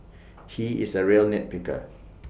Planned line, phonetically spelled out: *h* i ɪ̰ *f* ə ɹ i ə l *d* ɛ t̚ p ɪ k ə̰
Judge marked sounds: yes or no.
yes, no, no

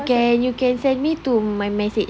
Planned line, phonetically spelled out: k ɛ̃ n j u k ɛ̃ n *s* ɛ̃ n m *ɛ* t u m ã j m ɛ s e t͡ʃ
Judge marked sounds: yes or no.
yes, no

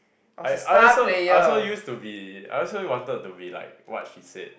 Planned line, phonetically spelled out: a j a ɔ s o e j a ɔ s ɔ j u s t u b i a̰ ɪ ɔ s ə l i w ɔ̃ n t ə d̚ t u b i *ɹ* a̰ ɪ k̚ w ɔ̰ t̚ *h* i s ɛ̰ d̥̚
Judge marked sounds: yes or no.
no, no

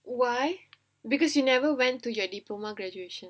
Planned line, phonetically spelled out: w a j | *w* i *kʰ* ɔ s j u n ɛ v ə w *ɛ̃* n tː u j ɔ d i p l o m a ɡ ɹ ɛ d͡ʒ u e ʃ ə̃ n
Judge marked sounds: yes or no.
no, no, yes

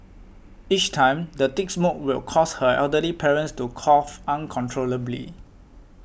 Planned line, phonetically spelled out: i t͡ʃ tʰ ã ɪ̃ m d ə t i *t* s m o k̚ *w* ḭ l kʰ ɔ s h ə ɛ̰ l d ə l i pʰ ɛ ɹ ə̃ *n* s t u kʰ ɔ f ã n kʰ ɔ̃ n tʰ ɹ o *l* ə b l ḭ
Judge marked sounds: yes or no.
no, yes, yes, yes

